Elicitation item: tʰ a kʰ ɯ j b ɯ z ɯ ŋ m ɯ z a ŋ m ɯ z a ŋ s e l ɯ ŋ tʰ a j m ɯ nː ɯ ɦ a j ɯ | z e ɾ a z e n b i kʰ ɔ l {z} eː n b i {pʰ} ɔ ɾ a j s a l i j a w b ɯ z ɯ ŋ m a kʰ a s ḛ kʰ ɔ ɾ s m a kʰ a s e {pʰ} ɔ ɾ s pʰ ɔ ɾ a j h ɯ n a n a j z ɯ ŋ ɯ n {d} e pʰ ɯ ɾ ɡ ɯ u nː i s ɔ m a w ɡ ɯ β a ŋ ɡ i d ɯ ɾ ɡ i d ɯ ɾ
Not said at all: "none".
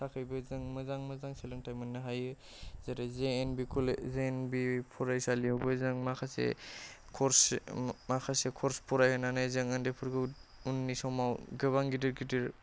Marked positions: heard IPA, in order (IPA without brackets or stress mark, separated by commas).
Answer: z, pʰ, kʰ, d